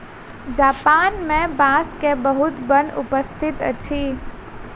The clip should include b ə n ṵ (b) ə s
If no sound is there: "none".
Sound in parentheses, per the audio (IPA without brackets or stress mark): p